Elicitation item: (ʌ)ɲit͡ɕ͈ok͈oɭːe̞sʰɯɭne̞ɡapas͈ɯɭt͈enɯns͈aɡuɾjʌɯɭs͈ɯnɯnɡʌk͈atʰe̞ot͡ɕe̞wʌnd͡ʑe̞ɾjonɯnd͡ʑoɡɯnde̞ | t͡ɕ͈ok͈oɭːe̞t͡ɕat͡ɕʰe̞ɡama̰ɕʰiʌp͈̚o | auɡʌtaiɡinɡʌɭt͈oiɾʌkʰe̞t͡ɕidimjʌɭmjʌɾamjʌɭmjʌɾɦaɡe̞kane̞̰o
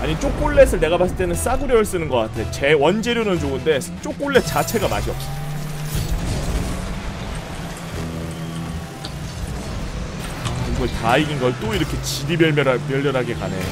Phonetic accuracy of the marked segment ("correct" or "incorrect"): incorrect